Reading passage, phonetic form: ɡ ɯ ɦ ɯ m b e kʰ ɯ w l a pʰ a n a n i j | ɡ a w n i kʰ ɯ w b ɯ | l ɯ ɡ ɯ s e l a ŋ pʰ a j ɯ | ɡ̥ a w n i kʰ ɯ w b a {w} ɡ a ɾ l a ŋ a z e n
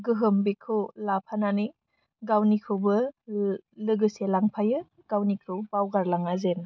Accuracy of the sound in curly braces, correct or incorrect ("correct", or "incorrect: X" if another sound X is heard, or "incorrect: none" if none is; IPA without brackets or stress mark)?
correct